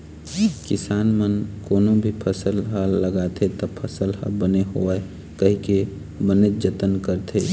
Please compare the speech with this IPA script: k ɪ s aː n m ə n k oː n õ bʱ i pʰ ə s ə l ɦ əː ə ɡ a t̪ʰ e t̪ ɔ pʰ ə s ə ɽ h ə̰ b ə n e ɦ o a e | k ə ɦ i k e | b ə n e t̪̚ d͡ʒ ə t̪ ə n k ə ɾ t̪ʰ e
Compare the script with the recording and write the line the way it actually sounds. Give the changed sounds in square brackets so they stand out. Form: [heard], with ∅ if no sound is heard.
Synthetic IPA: k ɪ s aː n m ə n k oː n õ bʱ i pʰ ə s ə l ɦ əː ə ɡ a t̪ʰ e t̪ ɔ pʰ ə s ə [l] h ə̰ b ə n e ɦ o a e | k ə ɦ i k e | b ə n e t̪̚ d͡ʒ ə t̪ ə n k ə ɾ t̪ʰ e

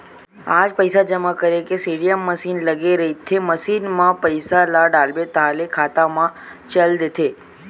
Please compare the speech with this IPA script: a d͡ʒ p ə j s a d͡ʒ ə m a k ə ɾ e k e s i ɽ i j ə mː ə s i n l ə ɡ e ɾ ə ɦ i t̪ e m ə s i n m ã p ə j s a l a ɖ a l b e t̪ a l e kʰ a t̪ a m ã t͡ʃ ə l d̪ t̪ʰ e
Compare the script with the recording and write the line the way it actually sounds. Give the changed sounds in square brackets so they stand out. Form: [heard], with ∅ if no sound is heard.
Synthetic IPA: a d͡ʒ p ə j s a d͡ʒ ə m a k ə ɾ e k e s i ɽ i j ə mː ə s i n l ə ɡ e ɾ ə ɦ i [t̪ʰ] e m ə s i n m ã p ə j s a l a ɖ a l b e t̪ a l e kʰ a t̪ a m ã t͡ʃ ə l d̪ t̪ʰ e

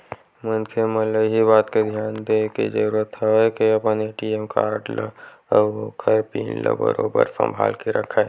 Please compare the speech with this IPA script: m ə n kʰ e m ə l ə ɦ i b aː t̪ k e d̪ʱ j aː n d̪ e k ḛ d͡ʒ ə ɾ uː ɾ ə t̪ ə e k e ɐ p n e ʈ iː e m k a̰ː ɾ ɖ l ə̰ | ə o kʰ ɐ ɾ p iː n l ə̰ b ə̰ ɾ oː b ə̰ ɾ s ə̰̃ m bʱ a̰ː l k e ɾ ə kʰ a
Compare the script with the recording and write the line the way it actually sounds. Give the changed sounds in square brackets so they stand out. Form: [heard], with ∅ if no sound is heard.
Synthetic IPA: m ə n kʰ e m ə l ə ɦ i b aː t̪ k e d̪ʱ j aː n d̪ e k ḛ d͡ʒ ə ɾ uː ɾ ə t̪ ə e k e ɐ p n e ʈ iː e m k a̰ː ɾ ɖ l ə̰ | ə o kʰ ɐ ɾ p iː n l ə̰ b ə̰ ɾ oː b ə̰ ɾ s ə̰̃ m bʱ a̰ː l k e ɾ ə kʰ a

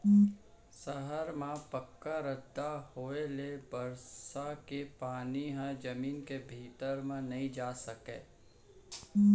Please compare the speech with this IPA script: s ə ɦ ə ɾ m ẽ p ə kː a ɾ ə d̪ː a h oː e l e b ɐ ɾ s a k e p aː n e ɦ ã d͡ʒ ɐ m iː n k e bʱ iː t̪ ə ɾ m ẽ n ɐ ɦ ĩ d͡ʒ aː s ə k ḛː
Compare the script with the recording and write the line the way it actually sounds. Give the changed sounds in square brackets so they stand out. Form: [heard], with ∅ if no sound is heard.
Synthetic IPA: s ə ɦ ə ɾ m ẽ p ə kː a ɾ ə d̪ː a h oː e l e b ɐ ɾ s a k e p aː n [i] ɦ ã d͡ʒ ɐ m iː n k e bʱ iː t̪ ə ɾ m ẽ n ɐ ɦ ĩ d͡ʒ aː s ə k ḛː

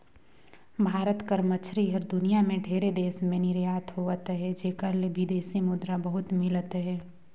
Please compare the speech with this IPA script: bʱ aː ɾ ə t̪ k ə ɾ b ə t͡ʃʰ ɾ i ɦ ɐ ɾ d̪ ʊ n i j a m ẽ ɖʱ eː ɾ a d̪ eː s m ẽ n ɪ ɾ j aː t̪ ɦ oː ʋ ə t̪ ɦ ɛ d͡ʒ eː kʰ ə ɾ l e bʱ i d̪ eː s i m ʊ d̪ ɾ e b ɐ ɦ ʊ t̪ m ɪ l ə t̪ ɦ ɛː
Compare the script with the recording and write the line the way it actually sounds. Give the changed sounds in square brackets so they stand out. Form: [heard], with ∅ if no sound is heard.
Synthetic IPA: bʱ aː ɾ ə t̪ k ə ɾ [m] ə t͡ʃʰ ɾ i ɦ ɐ ɾ d̪ ʊ n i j a m ẽ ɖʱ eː ɾ [e] d̪ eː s m ẽ n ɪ ɾ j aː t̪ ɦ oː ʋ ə t̪ ɦ ɛ d͡ʒ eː [k] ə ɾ l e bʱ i d̪ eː s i m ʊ d̪ ɾ [a] b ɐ ɦ ʊ t̪ m ɪ l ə t̪ ɦ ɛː

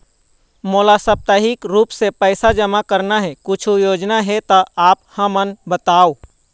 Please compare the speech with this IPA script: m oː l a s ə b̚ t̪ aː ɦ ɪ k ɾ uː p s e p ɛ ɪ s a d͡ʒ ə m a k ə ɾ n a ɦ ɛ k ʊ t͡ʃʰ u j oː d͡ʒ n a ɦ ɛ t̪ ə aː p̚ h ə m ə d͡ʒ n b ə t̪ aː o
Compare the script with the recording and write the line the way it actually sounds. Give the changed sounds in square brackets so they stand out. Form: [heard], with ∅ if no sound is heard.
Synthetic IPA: m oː l a s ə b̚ t̪ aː ɦ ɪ k ɾ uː p s e p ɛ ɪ s a d͡ʒ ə m a k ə ɾ n a ɦ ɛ k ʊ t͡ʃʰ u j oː d͡ʒ n a ɦ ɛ t̪ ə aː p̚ h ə m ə [∅] n b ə t̪ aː o

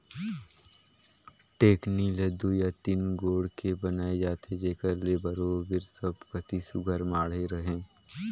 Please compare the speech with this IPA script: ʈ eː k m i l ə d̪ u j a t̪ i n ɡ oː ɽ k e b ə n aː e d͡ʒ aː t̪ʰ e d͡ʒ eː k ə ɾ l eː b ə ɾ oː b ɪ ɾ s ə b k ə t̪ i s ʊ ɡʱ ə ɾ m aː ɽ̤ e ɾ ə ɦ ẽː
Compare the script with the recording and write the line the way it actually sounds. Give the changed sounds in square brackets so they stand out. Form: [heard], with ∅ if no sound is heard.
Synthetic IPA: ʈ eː k [n] i l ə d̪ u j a t̪ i n ɡ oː ɽ k e b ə n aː e d͡ʒ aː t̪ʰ e d͡ʒ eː k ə ɾ l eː b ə ɾ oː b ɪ ɾ s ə b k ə t̪ i s ʊ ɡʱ ə ɾ m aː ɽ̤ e ɾ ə ɦ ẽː

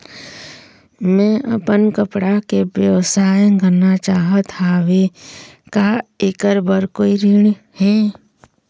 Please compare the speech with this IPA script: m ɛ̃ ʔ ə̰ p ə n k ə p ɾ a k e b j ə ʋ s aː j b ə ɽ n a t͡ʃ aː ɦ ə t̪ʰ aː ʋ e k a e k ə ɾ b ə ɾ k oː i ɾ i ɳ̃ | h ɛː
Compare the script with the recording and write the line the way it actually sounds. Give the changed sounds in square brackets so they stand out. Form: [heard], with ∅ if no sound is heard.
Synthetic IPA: m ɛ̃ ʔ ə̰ p ə n k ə p [ɽ] a k e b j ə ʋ s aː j [ɡ] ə [∅] n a t͡ʃ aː ɦ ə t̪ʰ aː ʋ e k a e k ə ɾ b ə ɾ k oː i ɾ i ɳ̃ | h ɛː

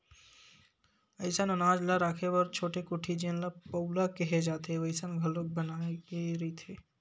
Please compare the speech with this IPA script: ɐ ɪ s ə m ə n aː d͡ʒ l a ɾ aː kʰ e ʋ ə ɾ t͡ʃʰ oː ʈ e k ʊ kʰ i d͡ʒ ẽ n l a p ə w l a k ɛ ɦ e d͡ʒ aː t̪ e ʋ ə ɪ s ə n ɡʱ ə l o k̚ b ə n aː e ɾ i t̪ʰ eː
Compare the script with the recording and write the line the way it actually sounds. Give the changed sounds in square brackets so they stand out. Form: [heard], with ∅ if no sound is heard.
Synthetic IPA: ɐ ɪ s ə [n] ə n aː d͡ʒ l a ɾ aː kʰ e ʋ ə ɾ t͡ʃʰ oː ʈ e k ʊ [ʈʰ] i d͡ʒ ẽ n l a p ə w l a k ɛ ɦ e d͡ʒ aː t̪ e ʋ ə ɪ s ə n ɡʱ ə l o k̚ b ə n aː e ɾ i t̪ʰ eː

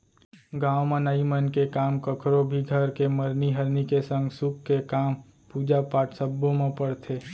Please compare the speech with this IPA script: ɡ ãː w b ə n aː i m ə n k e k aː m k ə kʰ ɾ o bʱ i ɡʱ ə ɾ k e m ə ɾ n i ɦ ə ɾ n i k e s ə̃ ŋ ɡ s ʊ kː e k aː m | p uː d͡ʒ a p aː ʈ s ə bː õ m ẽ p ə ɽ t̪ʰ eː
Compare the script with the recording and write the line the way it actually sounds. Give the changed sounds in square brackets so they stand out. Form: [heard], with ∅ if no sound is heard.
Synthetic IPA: ɡ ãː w [m] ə n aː i m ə n k e k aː m k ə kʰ ɾ o bʱ i ɡʱ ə ɾ k e m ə ɾ n i ɦ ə ɾ n i k e s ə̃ ŋ ɡ s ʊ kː e k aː m | p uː d͡ʒ a p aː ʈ s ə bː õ m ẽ p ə ɽ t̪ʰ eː

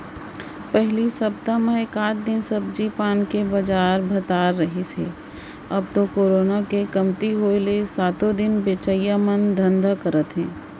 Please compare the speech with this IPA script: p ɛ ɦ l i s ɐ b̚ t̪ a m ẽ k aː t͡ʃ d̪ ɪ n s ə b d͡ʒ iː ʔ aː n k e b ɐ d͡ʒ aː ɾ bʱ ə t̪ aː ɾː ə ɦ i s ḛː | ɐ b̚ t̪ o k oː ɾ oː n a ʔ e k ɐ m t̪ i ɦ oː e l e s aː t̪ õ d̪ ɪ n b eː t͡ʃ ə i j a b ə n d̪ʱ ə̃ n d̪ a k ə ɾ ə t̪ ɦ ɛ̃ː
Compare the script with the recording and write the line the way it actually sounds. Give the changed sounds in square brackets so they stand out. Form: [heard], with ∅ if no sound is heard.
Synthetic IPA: p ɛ ɦ l i s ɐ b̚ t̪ a m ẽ k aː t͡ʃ d̪ ɪ n s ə b d͡ʒ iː [p] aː n k e b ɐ d͡ʒ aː ɾ bʱ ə t̪ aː ɾː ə ɦ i s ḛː | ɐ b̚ t̪ o k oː ɾ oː n a [k] e k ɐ m t̪ i ɦ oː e l e s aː t̪ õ d̪ ɪ n b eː t͡ʃ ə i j a [m] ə n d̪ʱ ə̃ n d̪ a k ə ɾ ə t̪ ɦ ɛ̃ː

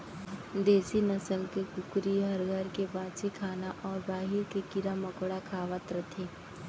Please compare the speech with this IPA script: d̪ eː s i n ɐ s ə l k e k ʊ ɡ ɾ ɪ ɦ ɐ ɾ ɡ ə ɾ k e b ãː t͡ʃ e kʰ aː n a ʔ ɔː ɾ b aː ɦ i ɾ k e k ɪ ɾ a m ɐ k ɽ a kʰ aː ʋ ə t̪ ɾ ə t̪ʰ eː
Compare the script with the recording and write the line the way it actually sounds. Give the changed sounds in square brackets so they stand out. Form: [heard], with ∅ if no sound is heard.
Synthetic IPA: d̪ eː s i n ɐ s ə l k e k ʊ [k] ɾ [i] ɦ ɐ ɾ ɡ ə ɾ k e b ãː t͡ʃ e kʰ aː n a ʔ ɔː ɾ b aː ɦ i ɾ k e k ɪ ɾ a m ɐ k ɽ a kʰ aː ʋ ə t̪ ɾ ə t̪ʰ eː

